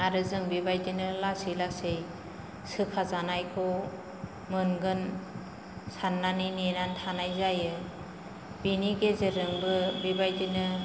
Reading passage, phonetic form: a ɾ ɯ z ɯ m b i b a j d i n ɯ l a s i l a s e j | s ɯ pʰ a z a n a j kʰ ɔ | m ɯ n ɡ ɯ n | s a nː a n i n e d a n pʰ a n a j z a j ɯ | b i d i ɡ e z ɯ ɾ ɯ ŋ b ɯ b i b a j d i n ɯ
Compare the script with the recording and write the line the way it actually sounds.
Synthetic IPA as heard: a ɾ ɯ z ɯ ŋ b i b a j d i n ɯ l a s i l a s e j | s ɯ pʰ a z a n a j kʰ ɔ | m ɯ n ɡ ɯ n | s a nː a n i n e n a n tʰ a n a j z a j ɯ | b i n i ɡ e z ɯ ɾ ɯ ŋ b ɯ b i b a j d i n ɯ